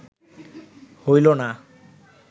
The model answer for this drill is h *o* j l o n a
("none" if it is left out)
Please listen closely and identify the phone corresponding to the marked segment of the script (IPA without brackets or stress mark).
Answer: o